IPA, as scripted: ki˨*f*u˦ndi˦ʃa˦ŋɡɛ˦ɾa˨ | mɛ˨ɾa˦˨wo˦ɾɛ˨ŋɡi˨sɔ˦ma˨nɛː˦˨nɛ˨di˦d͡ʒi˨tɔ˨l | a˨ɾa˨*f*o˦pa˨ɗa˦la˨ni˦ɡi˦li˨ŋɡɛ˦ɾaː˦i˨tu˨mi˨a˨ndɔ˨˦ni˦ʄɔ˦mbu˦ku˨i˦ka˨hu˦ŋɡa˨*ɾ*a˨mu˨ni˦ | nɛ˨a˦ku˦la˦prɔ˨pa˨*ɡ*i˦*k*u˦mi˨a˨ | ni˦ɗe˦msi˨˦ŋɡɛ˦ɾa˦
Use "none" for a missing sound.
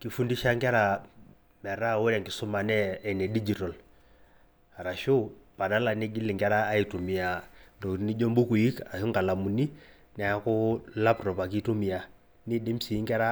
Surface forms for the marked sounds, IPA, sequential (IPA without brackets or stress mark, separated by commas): f, ʃ, l, k, t